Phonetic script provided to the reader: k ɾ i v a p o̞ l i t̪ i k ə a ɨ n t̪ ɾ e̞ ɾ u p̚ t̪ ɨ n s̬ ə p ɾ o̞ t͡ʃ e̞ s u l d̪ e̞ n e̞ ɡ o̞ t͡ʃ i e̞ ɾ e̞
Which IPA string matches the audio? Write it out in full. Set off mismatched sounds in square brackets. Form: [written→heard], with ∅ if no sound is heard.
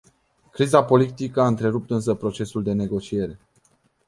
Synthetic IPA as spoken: k ɾ i [v→z] a p o̞ l i t̪ i k ə a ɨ n t̪ ɾ e̞ ɾ u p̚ t̪ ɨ n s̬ ə p ɾ o̞ t͡ʃ e̞ s u l d̪ e̞ n e̞ ɡ o̞ t͡ʃ i e̞ ɾ e̞